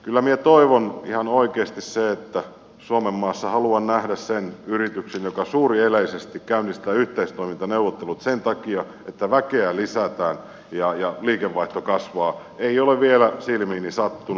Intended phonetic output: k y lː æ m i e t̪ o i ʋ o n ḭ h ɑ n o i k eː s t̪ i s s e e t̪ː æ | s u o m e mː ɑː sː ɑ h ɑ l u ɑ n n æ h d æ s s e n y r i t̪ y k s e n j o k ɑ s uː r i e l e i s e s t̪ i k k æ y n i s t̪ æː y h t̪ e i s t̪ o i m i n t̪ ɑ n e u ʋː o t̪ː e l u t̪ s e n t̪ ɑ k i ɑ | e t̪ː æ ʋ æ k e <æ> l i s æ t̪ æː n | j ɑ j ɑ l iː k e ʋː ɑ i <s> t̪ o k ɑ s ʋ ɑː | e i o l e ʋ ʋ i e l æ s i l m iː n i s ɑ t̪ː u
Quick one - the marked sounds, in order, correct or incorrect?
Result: correct, incorrect: h

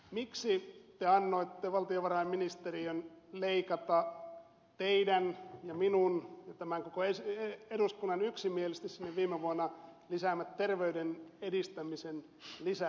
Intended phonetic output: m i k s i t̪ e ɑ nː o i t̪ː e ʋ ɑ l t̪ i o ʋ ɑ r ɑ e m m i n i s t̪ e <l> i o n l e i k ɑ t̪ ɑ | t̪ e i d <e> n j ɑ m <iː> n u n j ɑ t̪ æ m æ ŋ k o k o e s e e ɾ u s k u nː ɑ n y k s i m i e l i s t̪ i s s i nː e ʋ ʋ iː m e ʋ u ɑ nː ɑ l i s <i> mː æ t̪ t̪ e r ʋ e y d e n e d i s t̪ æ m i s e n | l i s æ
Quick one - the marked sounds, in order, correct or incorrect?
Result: incorrect: r, incorrect: æ, incorrect: i, incorrect: æ

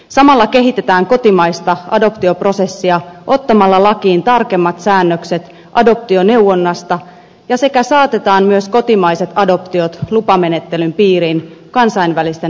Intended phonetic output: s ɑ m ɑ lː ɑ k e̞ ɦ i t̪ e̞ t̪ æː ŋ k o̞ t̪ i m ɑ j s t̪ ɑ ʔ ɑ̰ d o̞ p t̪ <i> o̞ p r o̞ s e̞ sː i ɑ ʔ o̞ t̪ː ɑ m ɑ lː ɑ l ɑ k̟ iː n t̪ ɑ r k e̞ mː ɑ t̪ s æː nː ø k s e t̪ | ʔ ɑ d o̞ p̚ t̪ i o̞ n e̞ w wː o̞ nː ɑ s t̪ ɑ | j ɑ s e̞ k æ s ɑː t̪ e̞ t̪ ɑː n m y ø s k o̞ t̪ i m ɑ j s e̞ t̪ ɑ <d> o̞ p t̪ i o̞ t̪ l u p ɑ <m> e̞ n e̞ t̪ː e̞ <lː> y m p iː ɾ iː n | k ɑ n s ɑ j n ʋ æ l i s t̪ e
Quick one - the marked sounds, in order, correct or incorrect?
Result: correct, correct, correct, incorrect: l

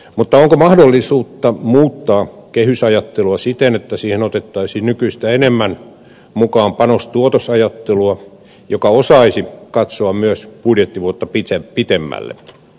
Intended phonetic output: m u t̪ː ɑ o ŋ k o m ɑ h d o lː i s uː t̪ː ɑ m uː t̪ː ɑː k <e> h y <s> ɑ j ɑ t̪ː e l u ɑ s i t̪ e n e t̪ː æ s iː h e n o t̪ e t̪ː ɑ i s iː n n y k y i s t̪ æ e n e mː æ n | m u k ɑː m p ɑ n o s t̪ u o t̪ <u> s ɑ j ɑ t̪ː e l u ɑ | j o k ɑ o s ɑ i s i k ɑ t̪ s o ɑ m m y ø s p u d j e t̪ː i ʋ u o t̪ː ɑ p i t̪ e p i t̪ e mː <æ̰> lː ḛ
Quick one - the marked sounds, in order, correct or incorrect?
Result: correct, correct, incorrect: o, correct

